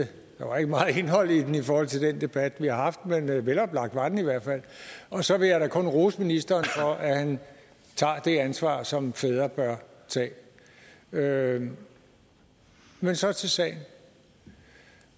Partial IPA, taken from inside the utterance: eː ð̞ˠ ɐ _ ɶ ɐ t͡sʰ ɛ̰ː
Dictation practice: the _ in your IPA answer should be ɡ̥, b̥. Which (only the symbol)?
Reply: b̥